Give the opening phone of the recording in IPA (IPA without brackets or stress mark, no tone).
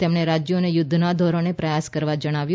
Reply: t̪